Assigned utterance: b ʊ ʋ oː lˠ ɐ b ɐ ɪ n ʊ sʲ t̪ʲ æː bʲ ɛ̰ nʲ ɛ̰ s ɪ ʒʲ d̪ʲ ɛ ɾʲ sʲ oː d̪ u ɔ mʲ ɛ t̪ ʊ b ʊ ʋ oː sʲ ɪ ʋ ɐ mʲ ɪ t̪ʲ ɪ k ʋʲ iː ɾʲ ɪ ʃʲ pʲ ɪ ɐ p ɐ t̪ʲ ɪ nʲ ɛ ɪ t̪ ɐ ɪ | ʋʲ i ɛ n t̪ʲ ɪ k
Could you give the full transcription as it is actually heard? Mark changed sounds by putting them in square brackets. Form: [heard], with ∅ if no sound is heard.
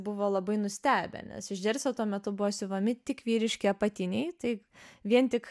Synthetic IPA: b ʊ ʋ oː lˠ ɐ b ɐ ɪ n ʊ sʲ t̪ʲ æː bʲ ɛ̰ nʲ ɛ̰ s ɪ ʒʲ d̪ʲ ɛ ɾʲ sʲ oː [t̪] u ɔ mʲ ɛ t̪ ʊ b ʊ ʋ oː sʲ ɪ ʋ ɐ mʲ ɪ t̪ʲ ɪ k ʋʲ iː ɾʲ ɪ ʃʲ [kʲ] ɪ ɐ p ɐ t̪ʲ ɪ nʲ ɛ ɪ t̪ ɐ ɪ | ʋʲ i ɛ n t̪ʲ ɪ k